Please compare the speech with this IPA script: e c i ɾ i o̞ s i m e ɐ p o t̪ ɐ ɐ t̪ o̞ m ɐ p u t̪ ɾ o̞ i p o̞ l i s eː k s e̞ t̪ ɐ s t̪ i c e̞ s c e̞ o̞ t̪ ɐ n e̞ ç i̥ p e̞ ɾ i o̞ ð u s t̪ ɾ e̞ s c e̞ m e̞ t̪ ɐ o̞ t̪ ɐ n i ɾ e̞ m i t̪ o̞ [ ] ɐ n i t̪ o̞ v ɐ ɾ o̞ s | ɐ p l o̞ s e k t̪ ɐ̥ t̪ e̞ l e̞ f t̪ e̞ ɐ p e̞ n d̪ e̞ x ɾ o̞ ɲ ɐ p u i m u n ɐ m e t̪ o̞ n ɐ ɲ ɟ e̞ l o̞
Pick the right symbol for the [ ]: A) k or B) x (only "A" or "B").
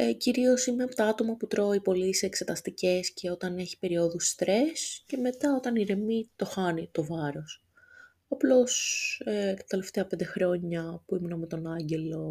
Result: B